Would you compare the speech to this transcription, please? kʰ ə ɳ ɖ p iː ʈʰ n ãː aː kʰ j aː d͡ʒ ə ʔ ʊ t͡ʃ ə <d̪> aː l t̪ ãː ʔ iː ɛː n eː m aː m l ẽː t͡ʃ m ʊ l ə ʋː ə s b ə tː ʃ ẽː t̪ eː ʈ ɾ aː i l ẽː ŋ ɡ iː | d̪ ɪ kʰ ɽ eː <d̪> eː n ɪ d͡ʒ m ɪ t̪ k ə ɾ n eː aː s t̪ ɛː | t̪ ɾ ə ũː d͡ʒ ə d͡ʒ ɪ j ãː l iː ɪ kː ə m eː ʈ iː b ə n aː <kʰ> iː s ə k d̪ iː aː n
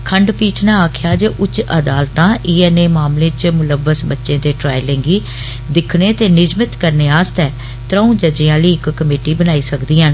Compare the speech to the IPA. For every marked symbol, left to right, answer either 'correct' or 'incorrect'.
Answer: correct, incorrect: t̪, incorrect: none

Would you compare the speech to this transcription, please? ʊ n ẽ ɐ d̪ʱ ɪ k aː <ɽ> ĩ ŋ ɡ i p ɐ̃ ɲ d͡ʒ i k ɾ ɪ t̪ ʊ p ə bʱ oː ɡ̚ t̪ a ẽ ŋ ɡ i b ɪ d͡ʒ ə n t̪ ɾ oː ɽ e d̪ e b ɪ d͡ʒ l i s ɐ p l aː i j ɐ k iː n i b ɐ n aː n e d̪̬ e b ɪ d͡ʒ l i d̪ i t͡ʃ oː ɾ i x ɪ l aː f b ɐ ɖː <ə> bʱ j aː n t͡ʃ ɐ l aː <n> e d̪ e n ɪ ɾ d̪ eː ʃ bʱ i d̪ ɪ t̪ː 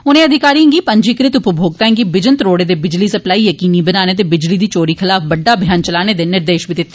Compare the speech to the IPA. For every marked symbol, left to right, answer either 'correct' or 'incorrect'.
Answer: incorrect: ɾ, incorrect: a, correct

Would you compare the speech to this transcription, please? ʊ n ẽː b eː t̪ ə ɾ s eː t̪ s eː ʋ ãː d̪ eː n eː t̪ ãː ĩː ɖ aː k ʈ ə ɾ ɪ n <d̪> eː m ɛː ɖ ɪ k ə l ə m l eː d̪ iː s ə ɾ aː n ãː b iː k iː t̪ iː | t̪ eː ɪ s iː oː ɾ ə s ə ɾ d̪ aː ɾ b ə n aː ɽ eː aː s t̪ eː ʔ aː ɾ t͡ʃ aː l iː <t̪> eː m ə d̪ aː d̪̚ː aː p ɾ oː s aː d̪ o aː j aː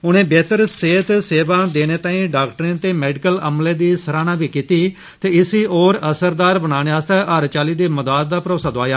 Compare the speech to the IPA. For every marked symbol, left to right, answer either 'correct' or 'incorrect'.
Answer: incorrect: t̪, incorrect: d̪

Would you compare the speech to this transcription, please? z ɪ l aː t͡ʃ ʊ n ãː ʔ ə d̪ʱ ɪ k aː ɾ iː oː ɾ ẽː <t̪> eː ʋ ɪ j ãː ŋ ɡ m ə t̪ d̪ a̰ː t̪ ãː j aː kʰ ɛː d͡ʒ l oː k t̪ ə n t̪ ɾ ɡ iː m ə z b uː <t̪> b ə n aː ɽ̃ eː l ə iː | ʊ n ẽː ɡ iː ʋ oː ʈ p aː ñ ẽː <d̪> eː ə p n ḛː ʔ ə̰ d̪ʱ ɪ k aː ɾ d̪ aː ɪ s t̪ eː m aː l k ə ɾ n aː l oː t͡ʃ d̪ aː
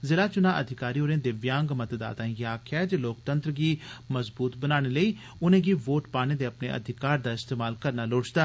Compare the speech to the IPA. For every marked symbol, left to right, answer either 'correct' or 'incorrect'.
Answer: incorrect: d̪, correct, correct

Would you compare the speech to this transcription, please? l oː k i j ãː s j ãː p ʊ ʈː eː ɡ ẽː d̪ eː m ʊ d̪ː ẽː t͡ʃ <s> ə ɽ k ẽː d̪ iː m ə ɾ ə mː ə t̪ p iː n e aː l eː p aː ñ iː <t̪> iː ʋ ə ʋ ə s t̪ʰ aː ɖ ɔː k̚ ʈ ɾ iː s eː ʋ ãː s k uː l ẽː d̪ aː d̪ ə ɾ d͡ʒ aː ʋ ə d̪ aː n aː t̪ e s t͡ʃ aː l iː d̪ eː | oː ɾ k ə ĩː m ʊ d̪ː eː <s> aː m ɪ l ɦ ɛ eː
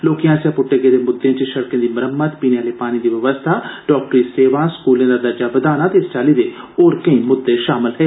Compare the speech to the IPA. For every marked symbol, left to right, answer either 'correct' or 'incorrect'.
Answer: incorrect: ʃ, incorrect: d̪, incorrect: ʃ

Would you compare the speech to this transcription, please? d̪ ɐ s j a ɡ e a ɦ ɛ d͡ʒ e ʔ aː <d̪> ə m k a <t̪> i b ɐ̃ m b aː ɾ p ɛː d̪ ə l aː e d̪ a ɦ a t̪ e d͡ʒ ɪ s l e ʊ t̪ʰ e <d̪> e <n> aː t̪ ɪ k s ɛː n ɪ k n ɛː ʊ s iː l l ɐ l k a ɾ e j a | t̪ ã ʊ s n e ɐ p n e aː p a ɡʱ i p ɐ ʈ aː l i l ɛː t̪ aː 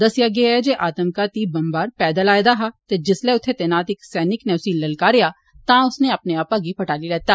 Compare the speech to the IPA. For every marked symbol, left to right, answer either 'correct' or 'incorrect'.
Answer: incorrect: t̪, correct, incorrect: t̪, correct

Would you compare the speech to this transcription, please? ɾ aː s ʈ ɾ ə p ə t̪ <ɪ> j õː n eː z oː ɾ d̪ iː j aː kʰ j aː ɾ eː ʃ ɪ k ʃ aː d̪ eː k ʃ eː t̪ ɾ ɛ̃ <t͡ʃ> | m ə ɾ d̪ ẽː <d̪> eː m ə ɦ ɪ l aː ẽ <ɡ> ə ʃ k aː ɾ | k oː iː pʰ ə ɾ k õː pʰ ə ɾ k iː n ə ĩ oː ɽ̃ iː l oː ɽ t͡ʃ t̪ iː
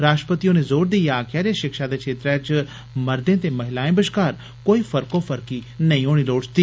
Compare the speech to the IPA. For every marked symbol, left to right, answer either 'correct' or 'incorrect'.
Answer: incorrect: i, correct, incorrect: t̪, incorrect: b

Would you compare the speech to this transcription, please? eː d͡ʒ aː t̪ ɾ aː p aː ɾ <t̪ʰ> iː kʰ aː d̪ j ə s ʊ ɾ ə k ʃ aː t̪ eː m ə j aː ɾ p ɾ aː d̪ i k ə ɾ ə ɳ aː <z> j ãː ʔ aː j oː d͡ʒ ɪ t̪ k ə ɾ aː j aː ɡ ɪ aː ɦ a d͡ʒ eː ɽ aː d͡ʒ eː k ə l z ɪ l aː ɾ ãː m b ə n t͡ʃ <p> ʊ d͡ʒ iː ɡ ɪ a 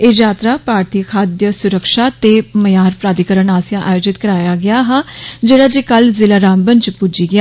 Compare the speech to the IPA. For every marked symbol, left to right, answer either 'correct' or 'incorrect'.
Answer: incorrect: t̪, incorrect: s, correct

